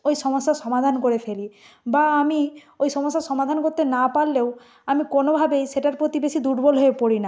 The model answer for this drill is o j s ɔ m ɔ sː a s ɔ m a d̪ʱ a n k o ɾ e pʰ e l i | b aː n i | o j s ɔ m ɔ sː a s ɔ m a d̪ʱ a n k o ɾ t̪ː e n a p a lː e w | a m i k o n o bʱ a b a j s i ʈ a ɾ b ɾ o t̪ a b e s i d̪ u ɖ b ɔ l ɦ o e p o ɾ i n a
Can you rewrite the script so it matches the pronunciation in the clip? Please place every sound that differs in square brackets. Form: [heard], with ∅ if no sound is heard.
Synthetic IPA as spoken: o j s ɔ m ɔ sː a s ɔ m a d̪ʱ a n k o ɾ e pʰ e l i | b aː [m] i | o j s ɔ m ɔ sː a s ɔ m a d̪ʱ a n k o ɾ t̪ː e n a p a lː e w | a m i k o n o bʱ a b [e] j s [e] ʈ a ɾ [p] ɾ o t̪ [i] b e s i d̪ u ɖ b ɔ l ɦ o e p o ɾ i n a